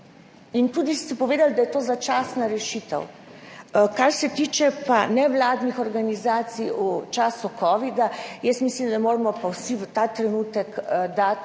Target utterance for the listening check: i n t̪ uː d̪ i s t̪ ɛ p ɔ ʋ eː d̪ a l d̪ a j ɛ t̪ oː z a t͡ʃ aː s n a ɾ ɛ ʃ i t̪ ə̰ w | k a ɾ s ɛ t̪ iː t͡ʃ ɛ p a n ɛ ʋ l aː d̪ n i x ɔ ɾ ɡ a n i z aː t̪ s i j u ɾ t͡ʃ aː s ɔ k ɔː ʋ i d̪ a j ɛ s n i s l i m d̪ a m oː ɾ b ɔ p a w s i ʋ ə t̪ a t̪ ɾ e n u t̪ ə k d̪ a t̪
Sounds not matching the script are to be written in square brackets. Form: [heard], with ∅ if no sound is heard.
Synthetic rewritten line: i n t̪ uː d̪ i s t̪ ɛ p ɔ ʋ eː d̪ a l d̪ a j ɛ t̪ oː z a t͡ʃ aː s n a ɾ ɛ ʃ i t̪ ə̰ w | k a ɾ s ɛ t̪ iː t͡ʃ ɛ p a n ɛ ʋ l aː d̪ n i x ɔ ɾ ɡ a n i z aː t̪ s i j u [∅] t͡ʃ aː s [u] k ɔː ʋ i d̪ a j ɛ s [m] i s l i m d̪ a m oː ɾ [m] ɔ p a w s i ʋ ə t̪ a t̪ ɾ [ɛ] n u t̪ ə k d̪ a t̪